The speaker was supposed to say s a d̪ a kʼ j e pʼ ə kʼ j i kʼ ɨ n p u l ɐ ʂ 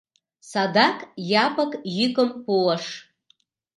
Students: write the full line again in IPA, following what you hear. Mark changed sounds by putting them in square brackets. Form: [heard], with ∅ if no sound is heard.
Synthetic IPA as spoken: s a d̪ a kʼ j [a] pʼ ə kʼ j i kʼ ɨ [m] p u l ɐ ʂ